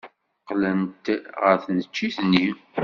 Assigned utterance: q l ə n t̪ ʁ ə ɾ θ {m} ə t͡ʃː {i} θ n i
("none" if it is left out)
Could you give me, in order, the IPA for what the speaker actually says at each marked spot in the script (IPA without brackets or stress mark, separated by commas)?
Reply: n, i